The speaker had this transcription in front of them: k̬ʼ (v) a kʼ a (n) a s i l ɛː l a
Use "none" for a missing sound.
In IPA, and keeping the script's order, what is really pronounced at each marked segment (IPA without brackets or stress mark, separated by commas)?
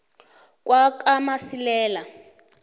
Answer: w, m